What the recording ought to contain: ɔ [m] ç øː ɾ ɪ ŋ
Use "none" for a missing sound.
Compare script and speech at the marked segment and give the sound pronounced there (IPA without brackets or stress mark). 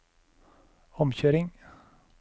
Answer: m